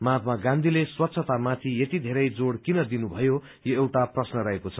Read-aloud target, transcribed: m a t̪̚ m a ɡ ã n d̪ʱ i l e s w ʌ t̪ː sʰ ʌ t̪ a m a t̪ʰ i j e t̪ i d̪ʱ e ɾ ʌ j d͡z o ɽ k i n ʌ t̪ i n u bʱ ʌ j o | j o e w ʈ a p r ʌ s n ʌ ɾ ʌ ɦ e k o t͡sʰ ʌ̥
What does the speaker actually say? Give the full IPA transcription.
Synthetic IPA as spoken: m a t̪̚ m a ɡ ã n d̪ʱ i l e s w ʌ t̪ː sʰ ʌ t̪ a m a t̪ʰ i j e t̪ i d̪ʱ e ɾ ʌ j d͡z o ɽ k i n ʌ d̪ i n u bʱ ʌ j o | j o e w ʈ a p r ʌ s n ʌ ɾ ʌ ɦ e k o t͡sʰ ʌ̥